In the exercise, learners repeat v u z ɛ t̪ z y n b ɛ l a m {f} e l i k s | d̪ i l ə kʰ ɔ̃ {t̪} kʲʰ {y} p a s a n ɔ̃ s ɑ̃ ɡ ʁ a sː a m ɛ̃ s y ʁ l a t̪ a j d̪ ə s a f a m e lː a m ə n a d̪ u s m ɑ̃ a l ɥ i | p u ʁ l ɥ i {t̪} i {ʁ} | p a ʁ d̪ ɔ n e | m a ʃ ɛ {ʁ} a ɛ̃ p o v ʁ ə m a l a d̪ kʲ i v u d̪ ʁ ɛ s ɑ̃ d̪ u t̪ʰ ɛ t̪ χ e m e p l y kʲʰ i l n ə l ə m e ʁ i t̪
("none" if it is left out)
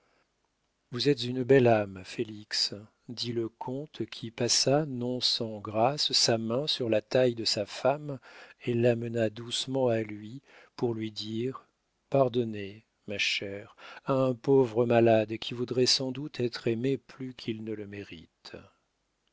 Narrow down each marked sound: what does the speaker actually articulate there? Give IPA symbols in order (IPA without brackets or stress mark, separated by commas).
f, t̪, i, d̪, ʁ, ʁ